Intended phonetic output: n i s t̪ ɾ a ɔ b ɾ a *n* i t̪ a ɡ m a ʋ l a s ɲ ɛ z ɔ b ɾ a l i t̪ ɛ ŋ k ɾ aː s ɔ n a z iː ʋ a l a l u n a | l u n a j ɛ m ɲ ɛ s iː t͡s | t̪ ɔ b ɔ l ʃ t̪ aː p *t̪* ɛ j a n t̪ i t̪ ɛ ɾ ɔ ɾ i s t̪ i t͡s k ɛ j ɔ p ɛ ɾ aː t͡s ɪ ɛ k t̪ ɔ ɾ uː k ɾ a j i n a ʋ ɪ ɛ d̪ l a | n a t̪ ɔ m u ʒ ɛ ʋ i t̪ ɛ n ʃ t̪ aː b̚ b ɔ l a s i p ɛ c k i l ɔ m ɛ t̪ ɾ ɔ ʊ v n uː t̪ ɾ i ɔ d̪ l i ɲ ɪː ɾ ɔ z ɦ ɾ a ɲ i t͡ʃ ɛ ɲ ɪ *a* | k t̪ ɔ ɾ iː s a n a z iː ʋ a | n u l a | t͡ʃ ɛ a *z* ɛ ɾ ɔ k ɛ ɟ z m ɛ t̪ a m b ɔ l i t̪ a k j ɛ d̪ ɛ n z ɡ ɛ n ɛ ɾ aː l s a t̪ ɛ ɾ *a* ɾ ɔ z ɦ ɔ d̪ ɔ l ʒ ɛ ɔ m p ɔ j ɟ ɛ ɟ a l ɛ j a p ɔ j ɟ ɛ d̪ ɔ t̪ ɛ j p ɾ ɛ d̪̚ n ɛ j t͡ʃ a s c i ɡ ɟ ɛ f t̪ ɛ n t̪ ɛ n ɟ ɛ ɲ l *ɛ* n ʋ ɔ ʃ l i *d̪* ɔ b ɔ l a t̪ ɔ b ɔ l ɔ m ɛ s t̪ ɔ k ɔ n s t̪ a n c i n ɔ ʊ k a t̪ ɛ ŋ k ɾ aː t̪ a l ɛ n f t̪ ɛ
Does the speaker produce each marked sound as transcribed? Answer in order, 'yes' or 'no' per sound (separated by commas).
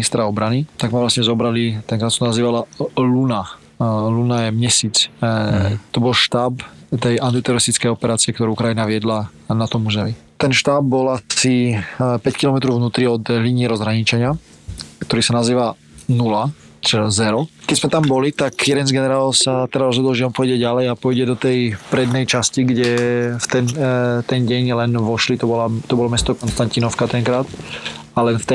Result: yes, yes, yes, yes, yes, yes, no